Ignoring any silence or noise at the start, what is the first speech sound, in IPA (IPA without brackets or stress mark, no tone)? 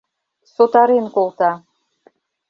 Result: s